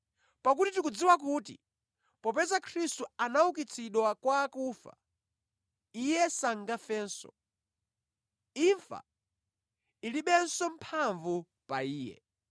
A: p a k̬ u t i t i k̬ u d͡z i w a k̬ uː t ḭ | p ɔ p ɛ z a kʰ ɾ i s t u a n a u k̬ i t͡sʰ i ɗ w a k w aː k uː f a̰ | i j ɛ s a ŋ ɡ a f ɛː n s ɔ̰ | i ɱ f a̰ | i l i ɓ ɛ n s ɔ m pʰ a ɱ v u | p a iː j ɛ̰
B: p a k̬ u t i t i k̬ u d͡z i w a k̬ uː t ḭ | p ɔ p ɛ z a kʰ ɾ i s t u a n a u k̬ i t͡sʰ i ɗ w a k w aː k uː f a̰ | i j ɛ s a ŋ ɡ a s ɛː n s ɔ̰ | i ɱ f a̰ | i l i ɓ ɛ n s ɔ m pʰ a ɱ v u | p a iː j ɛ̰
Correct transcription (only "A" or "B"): A